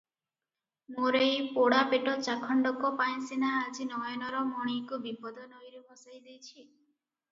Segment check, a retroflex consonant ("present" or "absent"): present